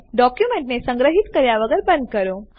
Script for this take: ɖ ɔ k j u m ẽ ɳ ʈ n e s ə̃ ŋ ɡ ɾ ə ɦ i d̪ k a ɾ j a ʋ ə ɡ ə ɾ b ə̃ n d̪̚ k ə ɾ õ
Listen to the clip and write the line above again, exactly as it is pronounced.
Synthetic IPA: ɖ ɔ k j u m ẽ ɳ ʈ n e s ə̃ ŋ ɡ ɾ ə ɦ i t̪ k ə ɾ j a ʋ ə ɡ ə ɾ b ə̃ n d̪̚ k ə ɾ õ

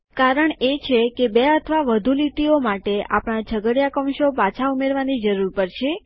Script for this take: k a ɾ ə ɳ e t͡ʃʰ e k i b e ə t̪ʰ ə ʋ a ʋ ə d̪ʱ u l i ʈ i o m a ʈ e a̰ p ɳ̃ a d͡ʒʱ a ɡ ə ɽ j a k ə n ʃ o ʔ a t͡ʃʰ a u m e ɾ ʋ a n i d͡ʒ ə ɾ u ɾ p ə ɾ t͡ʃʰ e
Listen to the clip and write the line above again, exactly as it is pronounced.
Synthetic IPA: k a ɾ ə ɳ e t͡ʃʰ e k e b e ə t̪ʰ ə ʋ a ʋ ə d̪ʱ u l i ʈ i o m a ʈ e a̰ p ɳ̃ a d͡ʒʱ ə ɡ ə ɽ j a k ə m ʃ o p a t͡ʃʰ a u m e ɾ ʋ a n i d͡ʒ ə ɾ u ɾ p ə ɾ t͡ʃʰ e

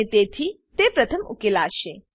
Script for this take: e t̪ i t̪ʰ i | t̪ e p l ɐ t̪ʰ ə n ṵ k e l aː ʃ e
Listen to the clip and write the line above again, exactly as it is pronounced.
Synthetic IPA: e t̪ e t̪ʰ i | t̪ e p ɾ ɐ t̪ʰ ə m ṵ k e l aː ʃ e

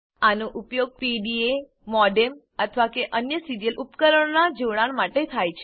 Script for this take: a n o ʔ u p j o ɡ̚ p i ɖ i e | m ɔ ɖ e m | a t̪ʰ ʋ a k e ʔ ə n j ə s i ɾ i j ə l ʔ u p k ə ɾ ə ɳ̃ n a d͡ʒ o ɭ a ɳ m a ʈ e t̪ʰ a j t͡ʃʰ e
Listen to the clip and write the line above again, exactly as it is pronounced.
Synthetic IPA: a n o ʔ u p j o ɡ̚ p i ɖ i e | m ɔ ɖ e m | ə t̪ʰ ʋ a k e ʔ ə n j ə s i ɾ i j ə l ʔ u p k ə ɾ ə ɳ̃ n a d͡ʒ o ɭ a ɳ m a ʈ e t̪ʰ a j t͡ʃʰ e

